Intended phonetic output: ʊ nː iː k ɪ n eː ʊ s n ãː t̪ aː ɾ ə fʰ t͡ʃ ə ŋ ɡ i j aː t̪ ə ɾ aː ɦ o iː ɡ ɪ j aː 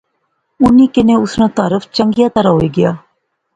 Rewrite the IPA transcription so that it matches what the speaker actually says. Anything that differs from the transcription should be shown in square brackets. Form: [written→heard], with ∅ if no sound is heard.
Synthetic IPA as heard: ʊ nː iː k ɪ n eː ʊ s n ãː t̪ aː ɾ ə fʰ t͡ʃ ə ŋ ɡ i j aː t̪ ə ɾ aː ɦ o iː ɡ ɪ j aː